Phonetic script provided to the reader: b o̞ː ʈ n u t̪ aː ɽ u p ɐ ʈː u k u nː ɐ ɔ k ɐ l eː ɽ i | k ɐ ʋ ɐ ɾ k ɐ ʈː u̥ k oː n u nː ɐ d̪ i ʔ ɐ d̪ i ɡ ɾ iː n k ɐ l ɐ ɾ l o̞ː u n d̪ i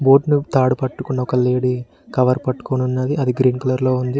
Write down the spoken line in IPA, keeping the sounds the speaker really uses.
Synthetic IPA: b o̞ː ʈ n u t̪ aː ɽ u p ɐ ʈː u k u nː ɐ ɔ k ɐ l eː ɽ i | k ɐ ʋ ɐ ɾ p ɐ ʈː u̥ k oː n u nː ɐ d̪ i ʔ ɐ d̪ i ɡ ɾ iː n k ɐ l ɐ ɾ l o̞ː u n d̪ i

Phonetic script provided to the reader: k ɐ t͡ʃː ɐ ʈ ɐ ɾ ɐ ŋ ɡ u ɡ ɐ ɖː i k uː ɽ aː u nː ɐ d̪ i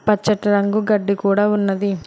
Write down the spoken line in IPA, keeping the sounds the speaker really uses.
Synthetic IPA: p ɐ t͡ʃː ɐ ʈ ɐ ɾ ɐ ŋ ɡ u ɡ ɐ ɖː i k uː ɽ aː u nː ɐ d̪ i

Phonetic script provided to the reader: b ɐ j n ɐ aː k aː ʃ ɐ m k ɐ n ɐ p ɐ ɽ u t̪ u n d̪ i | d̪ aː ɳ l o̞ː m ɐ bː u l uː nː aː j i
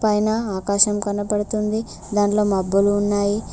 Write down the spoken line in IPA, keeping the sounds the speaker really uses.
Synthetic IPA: p ɐ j n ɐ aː k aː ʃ ɐ m k ɐ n ɐ p ɐ ɽ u t̪ u n d̪ i | d̪ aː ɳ l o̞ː m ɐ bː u l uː nː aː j i

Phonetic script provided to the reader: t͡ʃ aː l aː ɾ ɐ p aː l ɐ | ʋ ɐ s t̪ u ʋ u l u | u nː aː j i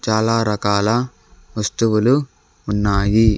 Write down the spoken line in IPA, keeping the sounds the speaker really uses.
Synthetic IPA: t͡ʃ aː l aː ɾ ɐ k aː l ɐ | ʋ ɐ s t̪ u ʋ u l u | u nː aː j i

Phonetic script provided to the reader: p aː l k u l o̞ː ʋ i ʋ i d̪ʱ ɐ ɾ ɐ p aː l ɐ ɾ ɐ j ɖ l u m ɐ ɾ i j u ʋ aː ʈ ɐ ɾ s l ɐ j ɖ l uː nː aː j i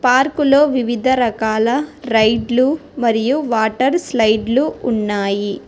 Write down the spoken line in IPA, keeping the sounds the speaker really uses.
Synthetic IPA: p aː ɾ k u l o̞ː ʋ i ʋ i d̪ʱ ɐ ɾ ɐ k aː l ɐ ɾ ɐ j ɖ l u m ɐ ɾ i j u ʋ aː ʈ ɐ ɾ s l ɐ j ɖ l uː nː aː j i

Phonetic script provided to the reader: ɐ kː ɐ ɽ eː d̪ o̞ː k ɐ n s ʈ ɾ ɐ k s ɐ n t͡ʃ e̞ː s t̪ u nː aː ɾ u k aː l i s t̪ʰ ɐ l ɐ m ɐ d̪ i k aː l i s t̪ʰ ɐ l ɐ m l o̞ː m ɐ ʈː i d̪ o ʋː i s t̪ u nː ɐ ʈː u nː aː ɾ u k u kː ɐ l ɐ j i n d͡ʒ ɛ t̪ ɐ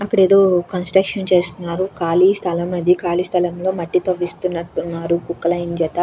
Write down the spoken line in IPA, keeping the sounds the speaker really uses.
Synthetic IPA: ɐ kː ɐ ɽ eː d̪ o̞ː k ɐ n s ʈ ɾ ɐ k ʂ ɐ n t͡ʃ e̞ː s t̪ u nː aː ɾ u k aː l i s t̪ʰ ɐ l ɐ m ɐ d̪ i k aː l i s t̪ʰ ɐ l ɐ m l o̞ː m ɐ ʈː i t̪ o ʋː i s t̪ u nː ɐ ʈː u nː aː ɾ u k u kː ɐ l ɐ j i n d͡ʒ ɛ t̪ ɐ

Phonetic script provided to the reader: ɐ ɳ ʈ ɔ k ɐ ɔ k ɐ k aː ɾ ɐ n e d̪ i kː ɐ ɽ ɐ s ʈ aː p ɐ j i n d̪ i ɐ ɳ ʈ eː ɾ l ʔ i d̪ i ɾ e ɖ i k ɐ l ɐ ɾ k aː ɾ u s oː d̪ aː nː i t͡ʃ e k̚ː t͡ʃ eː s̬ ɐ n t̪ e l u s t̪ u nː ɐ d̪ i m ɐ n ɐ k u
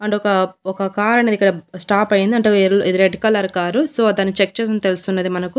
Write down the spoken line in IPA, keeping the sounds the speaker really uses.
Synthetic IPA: ɐ ɳ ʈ ɔ k ɐ ɔ k ɐ k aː ɾ ɐ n e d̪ i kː ɐ ɽ ɐ s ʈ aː p ɐ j i n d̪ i ɐ ɳ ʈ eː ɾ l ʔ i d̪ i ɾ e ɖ i k ɐ l ɐ ɾ k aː ɾ u s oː d̪ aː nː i t͡ʃ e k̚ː t͡ʃ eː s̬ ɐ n t̪ e l u s t̪ u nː ɐ d̪ i m ɐ n ɐ k u

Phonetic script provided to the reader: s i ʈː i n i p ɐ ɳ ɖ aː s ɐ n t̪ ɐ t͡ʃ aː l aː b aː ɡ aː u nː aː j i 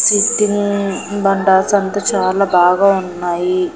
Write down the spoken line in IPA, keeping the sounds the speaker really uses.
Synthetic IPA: s i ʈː i n i b ɐ ɳ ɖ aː s ɐ n t̪ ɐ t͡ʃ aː l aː b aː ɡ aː u nː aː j i

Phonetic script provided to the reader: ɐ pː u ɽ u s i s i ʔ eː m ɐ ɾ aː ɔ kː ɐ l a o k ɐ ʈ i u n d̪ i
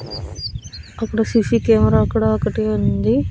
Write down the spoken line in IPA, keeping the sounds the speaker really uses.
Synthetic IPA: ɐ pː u ɽ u s i s i k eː m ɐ ɾ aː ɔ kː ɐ ɽ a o k ɐ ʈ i u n d̪ i

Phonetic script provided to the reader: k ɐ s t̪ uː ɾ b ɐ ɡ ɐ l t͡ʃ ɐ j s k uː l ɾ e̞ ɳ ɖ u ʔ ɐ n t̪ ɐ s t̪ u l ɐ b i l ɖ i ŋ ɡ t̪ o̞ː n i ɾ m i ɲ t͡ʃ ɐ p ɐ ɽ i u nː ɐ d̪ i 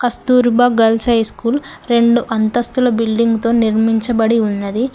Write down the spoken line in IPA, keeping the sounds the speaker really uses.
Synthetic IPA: k ɐ s t̪ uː ɾ b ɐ ɡ ɐ l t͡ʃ ɐ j s k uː l ɾ e̞ ɳ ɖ u ʔ ɐ n t̪ ɐ s t̪ u l ɐ b i l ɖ i ŋ ɡ t̪ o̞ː n i ɾ m i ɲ t͡ʃ ɐ b ɐ ɽ i u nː ɐ d̪ i

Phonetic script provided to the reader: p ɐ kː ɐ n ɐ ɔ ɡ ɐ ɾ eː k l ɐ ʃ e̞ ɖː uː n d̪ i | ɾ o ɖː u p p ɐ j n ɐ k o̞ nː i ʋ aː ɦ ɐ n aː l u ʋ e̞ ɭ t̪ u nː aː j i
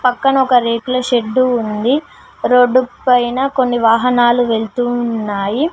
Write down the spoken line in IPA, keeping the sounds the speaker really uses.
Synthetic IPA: p ɐ kː ɐ n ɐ ɔ k ɐ ɾ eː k l ɐ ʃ e̞ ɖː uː n d̪ i | ɾ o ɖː u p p ɐ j n ɐ k o̞ nː i ʋ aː ɦ ɐ n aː l u ʋ e̞ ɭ t̪ u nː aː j i

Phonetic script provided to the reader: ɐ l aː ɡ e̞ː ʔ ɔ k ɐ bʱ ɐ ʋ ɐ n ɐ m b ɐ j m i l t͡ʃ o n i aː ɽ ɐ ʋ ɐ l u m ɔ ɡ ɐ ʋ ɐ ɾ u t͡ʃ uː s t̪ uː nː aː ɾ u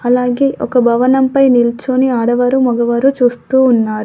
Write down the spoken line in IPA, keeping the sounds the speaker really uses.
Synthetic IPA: ɐ l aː ɡ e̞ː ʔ ɔ k ɐ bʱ ɐ ʋ ɐ n ɐ m p ɐ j n i l t͡ʃ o n i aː ɽ ɐ ʋ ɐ ɾ u m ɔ ɡ ɐ ʋ ɐ ɾ u t͡ʃ uː s t̪ uː nː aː ɾ u

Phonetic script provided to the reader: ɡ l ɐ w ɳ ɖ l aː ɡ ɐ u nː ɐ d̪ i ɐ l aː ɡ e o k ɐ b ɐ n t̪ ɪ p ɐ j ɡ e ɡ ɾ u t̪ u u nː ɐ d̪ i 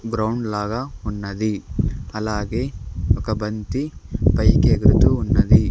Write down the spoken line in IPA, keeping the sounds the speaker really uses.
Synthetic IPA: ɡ ɾ ɐ w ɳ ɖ l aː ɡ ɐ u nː ɐ d̪ i ɐ l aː ɡ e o k ɐ b ɐ n t̪ i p ɐ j k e ɡ ɾ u t̪ u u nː ɐ d̪ i

